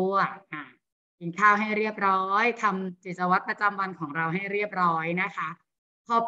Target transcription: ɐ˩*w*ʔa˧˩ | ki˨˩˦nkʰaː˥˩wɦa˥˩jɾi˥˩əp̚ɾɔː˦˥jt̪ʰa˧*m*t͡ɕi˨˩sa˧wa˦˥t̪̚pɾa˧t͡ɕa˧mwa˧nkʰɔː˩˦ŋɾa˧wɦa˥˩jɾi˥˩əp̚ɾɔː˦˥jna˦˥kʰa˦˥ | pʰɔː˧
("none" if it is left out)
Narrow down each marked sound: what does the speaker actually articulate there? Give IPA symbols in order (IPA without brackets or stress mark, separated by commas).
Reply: none, m